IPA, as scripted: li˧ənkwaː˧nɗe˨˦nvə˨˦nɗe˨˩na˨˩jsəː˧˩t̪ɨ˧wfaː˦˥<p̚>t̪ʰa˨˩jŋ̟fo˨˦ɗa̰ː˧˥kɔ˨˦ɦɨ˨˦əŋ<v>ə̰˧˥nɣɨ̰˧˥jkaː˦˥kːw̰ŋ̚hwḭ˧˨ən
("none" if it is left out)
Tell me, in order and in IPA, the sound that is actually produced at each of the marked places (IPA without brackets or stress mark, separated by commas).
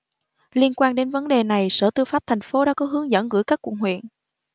p̚, z